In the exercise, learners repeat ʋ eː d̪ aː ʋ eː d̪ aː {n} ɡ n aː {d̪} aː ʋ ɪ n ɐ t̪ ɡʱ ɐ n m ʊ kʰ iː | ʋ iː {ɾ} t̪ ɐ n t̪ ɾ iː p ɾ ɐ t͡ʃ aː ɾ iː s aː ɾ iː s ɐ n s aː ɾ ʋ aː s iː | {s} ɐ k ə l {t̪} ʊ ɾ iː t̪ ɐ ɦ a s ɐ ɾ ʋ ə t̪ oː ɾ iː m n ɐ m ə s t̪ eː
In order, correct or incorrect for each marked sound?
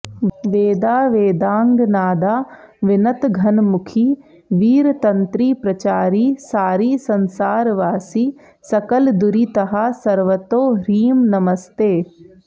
incorrect: ŋ, correct, correct, correct, incorrect: d̪

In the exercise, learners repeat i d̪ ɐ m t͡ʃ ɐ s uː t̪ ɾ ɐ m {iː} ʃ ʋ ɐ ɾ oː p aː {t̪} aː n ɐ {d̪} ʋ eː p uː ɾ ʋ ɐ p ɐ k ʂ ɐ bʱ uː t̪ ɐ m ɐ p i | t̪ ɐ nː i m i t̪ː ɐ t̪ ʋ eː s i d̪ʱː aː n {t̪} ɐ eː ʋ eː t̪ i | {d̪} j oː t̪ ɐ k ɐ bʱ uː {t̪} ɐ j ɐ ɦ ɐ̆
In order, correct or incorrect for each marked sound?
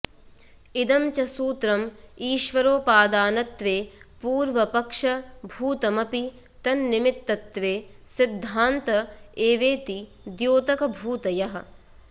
correct, incorrect: d̪, incorrect: t̪, correct, correct, correct

